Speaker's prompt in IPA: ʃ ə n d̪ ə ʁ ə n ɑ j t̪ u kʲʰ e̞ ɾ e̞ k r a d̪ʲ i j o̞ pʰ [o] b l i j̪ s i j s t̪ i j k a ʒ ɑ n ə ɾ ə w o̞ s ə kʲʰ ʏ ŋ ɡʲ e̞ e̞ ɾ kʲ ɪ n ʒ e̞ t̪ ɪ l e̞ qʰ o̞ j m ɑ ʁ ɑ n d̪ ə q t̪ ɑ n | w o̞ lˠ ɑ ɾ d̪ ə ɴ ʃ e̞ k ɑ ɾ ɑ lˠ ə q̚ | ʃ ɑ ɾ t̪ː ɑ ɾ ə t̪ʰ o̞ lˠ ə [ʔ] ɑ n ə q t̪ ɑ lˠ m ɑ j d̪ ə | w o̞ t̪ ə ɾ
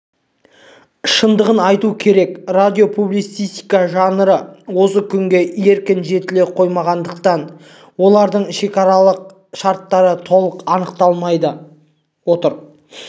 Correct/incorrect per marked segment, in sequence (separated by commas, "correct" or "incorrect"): incorrect, incorrect